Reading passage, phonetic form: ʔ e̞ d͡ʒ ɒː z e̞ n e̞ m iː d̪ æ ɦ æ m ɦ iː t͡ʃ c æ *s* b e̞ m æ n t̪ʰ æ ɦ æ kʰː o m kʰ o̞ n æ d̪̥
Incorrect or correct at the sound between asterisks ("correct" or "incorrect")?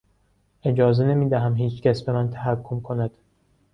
correct